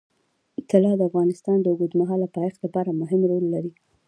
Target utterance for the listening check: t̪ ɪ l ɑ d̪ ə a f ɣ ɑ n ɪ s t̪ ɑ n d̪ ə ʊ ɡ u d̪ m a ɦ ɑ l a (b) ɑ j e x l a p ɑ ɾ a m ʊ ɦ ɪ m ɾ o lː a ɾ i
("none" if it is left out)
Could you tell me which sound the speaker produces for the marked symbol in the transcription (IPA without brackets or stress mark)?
p